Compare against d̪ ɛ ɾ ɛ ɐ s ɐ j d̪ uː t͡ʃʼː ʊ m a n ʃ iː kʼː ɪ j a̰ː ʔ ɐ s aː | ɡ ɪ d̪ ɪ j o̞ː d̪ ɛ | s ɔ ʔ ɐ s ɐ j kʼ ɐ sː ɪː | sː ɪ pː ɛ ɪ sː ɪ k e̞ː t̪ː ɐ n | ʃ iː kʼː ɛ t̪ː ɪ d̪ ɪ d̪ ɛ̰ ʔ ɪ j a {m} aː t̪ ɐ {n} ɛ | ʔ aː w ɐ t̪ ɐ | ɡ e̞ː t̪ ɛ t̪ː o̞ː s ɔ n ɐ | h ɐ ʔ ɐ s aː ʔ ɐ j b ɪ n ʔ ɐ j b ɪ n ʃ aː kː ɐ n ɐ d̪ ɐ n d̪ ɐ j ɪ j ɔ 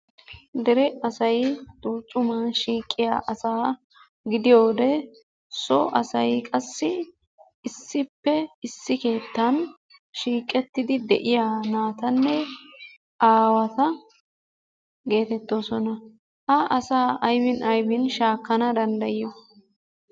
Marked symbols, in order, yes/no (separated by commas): no, no